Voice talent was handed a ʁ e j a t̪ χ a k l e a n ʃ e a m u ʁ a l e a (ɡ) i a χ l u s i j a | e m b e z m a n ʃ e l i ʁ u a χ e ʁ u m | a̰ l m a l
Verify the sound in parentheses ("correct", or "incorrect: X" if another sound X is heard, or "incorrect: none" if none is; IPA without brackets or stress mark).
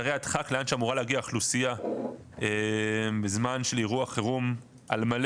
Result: correct